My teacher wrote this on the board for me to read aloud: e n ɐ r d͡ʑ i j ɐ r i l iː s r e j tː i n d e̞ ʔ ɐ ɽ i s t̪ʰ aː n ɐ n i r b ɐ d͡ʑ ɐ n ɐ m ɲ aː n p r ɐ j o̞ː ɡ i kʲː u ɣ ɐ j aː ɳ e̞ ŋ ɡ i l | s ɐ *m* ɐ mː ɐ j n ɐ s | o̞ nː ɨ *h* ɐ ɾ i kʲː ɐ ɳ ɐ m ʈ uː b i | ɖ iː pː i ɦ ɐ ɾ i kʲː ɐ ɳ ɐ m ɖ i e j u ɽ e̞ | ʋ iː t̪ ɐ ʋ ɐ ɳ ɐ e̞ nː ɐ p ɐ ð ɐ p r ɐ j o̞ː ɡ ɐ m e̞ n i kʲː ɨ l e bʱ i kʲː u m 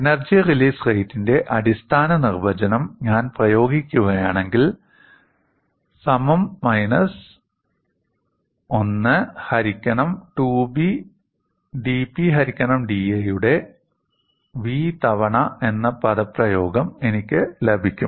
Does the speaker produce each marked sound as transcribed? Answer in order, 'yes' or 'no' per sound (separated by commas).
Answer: yes, yes